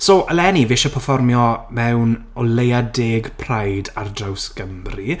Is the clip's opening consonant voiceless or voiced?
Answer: voiceless